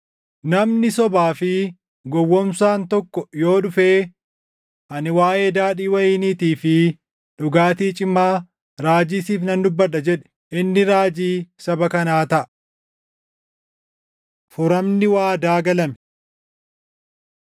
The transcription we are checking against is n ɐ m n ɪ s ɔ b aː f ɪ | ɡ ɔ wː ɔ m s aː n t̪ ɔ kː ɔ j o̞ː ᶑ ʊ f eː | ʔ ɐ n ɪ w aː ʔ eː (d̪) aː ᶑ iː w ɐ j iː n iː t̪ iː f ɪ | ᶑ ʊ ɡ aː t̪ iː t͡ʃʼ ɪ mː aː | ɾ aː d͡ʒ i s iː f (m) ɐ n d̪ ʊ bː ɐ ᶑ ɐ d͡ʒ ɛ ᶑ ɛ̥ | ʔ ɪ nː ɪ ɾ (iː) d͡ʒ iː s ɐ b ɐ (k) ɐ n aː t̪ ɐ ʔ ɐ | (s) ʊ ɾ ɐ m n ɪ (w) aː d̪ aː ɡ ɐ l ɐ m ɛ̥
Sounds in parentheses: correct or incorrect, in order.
correct, incorrect, incorrect, correct, incorrect, correct

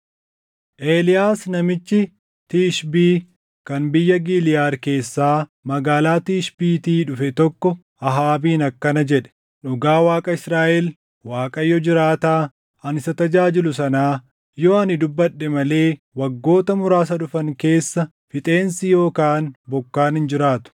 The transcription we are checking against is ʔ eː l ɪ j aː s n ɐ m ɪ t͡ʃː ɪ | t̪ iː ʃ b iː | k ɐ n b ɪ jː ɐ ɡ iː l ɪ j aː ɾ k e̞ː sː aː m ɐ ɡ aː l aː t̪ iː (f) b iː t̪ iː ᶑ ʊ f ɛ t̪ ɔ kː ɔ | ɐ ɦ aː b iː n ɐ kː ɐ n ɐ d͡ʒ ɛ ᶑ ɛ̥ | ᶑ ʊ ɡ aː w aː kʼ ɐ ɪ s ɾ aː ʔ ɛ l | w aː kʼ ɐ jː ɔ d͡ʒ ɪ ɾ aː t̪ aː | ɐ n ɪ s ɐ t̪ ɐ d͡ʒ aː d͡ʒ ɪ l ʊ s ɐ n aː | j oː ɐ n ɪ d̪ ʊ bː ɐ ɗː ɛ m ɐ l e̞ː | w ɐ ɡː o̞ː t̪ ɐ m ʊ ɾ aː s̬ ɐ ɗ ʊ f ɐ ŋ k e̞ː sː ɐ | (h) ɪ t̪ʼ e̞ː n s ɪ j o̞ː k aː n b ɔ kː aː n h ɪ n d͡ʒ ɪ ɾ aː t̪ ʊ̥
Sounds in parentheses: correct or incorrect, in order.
incorrect, incorrect

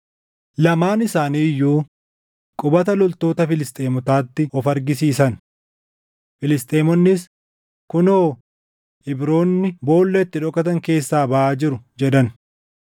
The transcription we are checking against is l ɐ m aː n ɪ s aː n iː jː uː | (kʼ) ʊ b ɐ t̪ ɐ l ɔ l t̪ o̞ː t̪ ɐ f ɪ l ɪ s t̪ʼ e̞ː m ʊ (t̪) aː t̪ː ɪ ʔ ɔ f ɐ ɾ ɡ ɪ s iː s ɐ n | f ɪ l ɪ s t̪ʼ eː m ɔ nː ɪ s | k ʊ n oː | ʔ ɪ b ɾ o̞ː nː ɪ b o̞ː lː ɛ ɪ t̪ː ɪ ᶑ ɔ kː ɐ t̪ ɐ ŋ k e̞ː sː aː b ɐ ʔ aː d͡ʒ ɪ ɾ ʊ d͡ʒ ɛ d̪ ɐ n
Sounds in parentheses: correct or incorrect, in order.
correct, correct

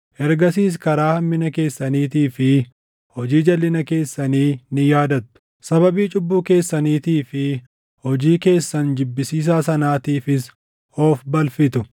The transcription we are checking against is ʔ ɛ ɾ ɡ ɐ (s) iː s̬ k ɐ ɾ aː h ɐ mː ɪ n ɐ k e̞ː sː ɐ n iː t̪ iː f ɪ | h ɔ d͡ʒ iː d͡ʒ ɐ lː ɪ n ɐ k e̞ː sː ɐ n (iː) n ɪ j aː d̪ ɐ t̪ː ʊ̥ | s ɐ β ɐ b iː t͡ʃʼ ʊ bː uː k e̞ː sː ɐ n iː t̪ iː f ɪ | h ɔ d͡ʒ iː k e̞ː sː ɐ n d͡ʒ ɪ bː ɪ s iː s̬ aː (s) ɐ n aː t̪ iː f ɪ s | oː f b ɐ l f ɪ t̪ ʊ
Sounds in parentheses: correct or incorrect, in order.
correct, correct, correct

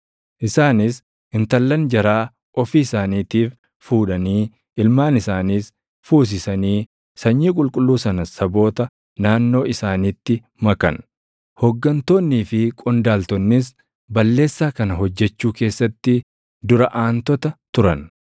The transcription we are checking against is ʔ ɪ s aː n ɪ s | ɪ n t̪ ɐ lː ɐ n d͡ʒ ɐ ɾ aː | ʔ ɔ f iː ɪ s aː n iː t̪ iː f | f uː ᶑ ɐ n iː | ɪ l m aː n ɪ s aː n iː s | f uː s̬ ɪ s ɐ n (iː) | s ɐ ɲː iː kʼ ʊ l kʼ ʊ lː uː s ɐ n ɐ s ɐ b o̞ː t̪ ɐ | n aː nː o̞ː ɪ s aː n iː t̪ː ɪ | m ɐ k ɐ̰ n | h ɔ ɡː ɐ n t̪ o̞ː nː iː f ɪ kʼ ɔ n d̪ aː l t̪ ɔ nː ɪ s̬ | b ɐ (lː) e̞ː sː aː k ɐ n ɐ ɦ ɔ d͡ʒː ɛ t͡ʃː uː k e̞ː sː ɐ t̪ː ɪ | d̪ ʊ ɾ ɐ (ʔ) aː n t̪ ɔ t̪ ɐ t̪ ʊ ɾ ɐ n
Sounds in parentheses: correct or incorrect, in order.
correct, correct, correct

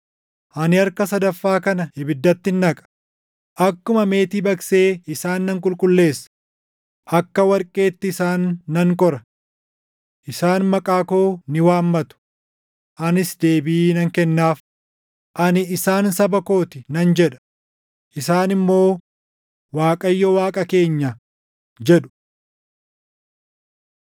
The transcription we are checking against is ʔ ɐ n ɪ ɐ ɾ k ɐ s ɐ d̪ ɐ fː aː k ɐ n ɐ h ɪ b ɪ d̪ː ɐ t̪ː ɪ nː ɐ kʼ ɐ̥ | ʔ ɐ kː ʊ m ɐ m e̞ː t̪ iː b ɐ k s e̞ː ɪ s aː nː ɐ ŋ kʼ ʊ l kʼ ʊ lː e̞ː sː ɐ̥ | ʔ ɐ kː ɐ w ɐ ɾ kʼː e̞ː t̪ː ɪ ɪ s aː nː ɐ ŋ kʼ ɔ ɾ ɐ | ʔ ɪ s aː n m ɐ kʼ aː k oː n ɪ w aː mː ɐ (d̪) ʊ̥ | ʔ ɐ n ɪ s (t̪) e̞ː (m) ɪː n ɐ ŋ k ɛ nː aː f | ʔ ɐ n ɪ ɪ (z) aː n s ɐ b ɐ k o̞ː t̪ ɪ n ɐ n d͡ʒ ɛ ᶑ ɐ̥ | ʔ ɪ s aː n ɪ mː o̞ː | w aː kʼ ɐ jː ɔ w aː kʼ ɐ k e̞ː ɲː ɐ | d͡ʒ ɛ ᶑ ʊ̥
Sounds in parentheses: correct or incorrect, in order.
incorrect, incorrect, incorrect, incorrect

